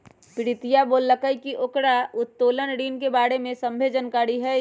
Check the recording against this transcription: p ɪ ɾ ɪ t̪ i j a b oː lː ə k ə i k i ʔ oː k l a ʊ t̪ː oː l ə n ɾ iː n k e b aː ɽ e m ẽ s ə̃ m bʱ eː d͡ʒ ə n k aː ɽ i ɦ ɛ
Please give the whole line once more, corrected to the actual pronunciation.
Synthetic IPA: p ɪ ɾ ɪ t̪ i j a b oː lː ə k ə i k i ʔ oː k ɽ a ʊ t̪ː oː l ə n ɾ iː n k e b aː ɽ e m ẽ s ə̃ m bʱ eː d͡ʒ ə n k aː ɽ i ɦ ɛ